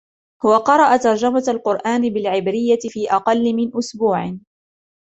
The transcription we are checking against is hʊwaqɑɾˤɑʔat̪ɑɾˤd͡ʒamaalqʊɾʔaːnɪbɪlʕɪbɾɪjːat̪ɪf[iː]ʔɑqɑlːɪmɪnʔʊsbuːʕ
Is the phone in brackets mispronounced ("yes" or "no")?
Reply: no